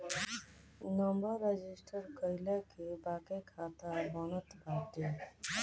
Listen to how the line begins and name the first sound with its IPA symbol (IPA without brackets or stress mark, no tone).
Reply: n